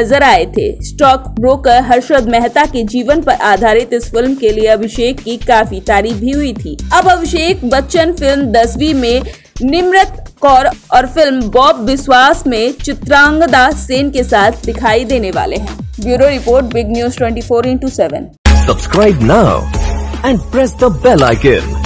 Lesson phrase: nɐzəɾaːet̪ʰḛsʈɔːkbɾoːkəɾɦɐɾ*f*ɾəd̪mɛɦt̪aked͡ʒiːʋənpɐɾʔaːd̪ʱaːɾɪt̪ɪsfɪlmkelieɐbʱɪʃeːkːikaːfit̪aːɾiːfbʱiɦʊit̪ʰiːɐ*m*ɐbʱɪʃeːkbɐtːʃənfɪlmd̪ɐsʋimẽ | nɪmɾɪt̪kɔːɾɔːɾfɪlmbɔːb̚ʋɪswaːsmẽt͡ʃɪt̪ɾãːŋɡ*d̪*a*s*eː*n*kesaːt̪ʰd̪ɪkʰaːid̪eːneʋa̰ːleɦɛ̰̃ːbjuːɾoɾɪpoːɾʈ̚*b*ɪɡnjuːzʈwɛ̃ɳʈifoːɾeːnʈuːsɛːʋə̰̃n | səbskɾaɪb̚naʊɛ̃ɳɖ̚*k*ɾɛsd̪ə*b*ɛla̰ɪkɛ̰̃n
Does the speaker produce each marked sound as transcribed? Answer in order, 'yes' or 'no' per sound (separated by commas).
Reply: no, no, yes, yes, yes, yes, no, yes